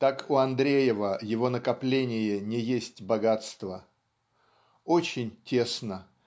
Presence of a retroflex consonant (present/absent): absent